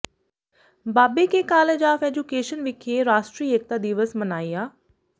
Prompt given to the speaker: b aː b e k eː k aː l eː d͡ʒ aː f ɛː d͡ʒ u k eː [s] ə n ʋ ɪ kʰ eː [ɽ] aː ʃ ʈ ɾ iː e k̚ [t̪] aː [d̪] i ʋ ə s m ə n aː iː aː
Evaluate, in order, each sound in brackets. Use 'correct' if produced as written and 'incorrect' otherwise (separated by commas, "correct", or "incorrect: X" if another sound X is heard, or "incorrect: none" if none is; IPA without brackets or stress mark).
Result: incorrect: ʃ, incorrect: ɾ, correct, correct